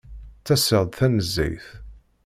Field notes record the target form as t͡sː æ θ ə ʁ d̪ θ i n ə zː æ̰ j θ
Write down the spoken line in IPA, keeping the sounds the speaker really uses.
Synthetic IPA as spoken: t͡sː æ s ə ʁ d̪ θ æ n ə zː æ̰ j θ